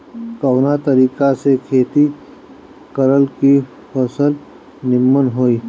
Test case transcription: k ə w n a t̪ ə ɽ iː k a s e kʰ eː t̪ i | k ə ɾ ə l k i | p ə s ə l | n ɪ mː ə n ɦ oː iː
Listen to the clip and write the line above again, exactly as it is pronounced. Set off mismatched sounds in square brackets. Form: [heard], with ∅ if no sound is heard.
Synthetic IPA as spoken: k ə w n a t̪ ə [ɾ] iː k a s e kʰ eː t̪ i | k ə ɾ ə l k i | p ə s ə l | n ɪ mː ə n ɦ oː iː